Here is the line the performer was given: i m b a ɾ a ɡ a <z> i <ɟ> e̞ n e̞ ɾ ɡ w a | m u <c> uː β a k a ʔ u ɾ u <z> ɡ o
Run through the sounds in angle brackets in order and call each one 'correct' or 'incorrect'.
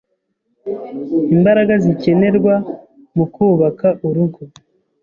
correct, incorrect, incorrect, incorrect

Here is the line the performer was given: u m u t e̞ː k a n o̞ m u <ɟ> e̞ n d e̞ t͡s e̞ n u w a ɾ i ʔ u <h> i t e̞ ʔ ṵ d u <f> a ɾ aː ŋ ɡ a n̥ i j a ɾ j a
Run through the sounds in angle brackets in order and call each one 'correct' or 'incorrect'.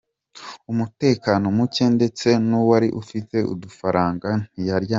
incorrect, incorrect, correct

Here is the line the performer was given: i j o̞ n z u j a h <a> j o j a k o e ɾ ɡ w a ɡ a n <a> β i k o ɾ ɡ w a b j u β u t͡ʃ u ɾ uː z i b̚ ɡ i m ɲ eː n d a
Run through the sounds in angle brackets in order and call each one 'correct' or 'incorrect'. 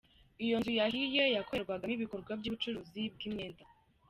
incorrect, incorrect

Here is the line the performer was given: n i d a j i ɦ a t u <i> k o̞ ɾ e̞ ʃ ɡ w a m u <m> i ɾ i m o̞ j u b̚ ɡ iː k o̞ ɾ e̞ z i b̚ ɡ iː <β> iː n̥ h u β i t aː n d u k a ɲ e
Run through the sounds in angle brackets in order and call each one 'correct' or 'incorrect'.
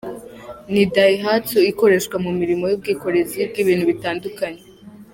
correct, correct, correct

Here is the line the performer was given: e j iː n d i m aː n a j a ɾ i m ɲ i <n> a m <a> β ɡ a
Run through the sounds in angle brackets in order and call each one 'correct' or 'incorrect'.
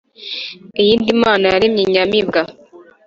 incorrect, incorrect

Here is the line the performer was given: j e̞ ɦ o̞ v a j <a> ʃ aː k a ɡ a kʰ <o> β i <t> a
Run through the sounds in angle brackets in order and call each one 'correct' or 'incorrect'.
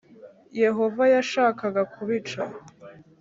correct, incorrect, incorrect

